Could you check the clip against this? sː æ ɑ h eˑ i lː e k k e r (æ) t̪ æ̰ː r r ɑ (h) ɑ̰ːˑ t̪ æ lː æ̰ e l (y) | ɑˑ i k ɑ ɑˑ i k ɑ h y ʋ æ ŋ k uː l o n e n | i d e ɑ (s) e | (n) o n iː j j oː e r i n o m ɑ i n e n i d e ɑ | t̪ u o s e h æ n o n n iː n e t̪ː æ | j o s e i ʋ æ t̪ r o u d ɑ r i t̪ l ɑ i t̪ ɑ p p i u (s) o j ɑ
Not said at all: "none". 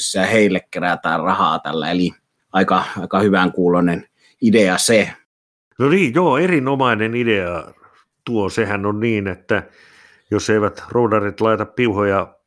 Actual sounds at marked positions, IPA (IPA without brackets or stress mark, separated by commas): æ, h, i, s, n, h